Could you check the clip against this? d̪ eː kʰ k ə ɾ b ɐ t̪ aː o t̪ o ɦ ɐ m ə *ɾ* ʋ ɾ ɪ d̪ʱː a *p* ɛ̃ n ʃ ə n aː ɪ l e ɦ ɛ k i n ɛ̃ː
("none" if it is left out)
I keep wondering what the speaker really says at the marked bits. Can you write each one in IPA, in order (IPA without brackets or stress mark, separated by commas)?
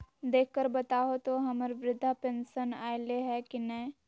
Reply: ɾ, p